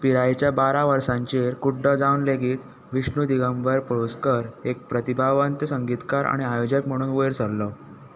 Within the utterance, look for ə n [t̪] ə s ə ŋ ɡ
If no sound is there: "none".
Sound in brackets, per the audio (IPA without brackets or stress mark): t̪